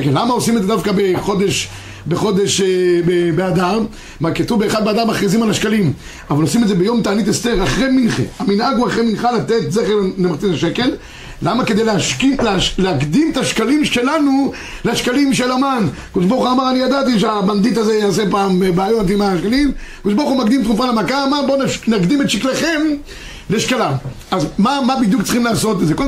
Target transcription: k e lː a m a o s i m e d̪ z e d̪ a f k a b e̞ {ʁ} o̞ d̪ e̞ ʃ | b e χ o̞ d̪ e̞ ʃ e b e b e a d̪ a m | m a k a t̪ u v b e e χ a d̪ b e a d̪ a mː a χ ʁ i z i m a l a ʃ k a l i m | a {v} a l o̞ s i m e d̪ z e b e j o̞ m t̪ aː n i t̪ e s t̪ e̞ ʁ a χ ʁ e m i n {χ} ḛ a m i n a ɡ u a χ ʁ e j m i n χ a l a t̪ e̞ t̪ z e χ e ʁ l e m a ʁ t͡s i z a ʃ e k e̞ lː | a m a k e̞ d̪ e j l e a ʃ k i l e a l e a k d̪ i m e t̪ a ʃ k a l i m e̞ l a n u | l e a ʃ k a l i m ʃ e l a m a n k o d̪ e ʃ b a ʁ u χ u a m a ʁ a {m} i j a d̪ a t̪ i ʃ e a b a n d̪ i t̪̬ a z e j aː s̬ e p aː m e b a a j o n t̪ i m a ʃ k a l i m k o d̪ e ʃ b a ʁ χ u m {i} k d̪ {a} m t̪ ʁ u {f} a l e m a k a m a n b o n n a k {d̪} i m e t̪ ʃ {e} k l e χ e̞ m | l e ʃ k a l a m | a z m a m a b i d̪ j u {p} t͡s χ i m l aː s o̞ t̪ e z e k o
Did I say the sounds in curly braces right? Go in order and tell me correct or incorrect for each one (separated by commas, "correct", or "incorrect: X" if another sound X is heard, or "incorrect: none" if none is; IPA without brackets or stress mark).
incorrect: χ, correct, correct, incorrect: n, incorrect: a, incorrect: i, correct, correct, incorrect: i, incorrect: k